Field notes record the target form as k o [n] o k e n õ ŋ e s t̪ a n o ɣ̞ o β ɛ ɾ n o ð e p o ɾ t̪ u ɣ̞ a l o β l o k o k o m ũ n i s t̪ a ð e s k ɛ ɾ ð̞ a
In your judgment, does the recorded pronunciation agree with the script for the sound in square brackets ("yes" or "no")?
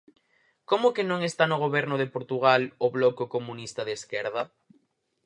no